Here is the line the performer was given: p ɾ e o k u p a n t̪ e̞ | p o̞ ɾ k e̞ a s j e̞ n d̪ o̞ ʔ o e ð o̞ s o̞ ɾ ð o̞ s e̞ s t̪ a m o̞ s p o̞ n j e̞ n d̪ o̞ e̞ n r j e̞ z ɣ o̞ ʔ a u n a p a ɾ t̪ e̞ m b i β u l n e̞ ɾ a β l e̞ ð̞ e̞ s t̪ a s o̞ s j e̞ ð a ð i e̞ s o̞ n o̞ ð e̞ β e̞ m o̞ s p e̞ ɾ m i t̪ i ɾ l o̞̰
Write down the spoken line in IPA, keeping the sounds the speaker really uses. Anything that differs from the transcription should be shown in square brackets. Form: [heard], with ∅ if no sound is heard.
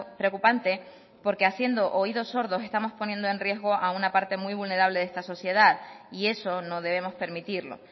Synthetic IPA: p ɾ e o k u p a n t̪ e̞ | p o̞ ɾ k e̞ a s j e̞ n d̪ o̞ ʔ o [i] ð o̞ s o̞ ɾ ð o̞ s e̞ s t̪ a m o̞ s p o̞ n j e̞ n d̪ o̞ e̞ n r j e̞ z ɣ o̞ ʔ a u n a p a ɾ t̪ e̞ m [w] i β u l n e̞ ɾ a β l e̞ ð̞ e̞ s t̪ a s o̞ s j e̞ ð a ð i e̞ s o̞ n o̞ ð e̞ β e̞ m o̞ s p e̞ ɾ m i t̪ i ɾ l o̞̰